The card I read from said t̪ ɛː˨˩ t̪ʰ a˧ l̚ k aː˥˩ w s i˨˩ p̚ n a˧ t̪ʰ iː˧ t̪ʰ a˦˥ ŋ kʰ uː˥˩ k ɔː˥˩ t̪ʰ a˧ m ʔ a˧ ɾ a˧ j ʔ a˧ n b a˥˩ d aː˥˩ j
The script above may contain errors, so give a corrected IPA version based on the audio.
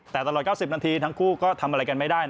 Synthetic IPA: t̪ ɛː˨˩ t̪ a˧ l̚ k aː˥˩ w s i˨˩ p̚ n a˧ t̪ʰ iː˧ t̪ʰ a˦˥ ŋ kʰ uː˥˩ k ɔː˥˩ t̪ʰ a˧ m ʔ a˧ ɾ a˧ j k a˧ n m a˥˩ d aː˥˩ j